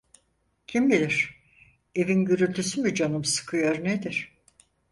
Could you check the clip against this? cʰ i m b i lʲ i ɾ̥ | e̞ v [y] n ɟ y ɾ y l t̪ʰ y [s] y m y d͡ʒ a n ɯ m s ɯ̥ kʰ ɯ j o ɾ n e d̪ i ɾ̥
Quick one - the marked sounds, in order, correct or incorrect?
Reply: incorrect: i, correct

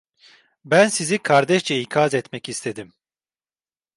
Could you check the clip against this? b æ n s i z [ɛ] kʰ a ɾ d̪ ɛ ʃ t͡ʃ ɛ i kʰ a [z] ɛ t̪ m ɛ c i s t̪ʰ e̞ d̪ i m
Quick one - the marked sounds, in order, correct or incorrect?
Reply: incorrect: i, correct

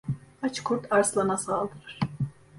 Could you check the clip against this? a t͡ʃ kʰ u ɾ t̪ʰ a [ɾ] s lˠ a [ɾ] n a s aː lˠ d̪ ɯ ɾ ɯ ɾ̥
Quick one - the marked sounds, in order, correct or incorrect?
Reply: correct, incorrect: none

